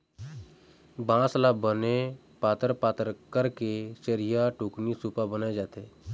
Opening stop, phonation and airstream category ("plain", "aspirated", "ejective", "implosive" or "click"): plain